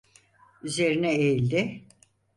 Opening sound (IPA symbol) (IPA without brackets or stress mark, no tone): y